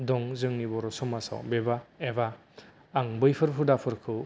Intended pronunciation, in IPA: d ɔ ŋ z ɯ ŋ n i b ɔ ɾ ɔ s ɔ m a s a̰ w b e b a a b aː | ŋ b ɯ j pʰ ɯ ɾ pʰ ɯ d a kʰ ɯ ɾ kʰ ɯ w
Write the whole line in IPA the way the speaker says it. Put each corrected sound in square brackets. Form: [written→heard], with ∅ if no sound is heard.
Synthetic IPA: d ɔ ŋ z ɯ ŋ n i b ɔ ɾ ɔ s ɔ m a s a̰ w b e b a [a→e] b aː | ŋ b ɯ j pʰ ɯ ɾ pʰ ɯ d a [kʰ→pʰ] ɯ ɾ kʰ ɯ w